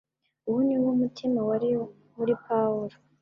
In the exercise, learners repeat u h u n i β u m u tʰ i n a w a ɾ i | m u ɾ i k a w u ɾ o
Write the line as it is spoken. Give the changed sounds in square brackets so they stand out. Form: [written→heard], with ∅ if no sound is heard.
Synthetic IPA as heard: u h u n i [β→w] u m u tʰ i [n→m] a w a ɾ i | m u ɾ i [k→p] a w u ɾ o